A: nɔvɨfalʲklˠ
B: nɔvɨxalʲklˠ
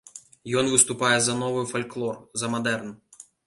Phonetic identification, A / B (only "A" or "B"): A